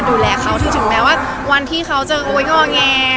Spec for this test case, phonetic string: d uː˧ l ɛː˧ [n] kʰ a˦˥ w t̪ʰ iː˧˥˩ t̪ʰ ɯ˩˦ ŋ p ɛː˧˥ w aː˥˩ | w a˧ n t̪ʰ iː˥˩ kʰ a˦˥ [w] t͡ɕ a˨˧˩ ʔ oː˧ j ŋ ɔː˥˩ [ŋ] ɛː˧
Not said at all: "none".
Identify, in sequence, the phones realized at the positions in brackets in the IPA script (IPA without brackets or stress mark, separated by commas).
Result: none, w, ŋ